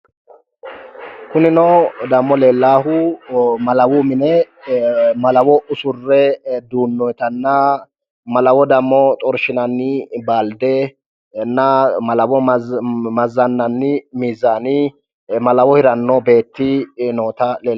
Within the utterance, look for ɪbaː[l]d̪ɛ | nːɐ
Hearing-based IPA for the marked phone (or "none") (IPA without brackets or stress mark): l